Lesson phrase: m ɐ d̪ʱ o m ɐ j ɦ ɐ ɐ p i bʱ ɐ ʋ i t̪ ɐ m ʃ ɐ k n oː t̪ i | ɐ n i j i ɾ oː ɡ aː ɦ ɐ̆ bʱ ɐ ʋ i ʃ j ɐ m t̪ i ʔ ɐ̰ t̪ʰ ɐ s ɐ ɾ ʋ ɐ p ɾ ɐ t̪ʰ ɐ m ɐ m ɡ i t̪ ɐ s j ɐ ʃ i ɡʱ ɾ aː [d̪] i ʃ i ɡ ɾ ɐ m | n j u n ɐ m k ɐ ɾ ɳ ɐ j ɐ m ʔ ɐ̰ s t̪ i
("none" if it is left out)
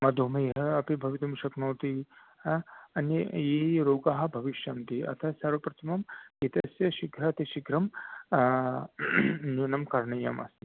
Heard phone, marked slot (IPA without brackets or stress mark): t̪